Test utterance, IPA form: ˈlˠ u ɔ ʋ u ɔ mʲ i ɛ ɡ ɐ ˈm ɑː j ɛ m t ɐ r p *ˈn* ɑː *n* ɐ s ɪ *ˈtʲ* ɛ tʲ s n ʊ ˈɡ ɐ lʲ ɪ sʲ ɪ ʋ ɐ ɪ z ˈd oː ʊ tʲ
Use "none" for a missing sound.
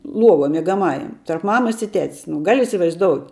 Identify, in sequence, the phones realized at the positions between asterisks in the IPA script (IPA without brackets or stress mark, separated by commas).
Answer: m, m, tʲ